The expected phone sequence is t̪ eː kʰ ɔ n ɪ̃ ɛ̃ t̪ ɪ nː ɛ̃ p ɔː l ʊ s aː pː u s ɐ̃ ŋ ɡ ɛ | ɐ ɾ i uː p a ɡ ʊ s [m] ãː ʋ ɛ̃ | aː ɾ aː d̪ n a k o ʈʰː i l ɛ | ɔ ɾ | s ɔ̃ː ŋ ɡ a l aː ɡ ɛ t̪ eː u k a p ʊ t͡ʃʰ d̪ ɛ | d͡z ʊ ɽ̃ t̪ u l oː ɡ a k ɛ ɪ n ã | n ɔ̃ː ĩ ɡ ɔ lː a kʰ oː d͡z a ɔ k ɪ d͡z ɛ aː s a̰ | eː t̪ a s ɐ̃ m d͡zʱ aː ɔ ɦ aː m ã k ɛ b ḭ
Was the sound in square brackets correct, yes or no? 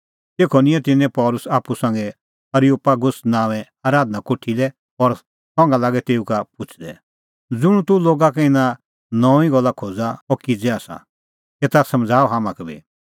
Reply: no